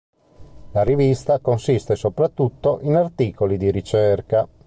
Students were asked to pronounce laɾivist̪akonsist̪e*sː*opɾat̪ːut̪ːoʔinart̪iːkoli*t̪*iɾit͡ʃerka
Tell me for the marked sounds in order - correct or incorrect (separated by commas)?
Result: incorrect, incorrect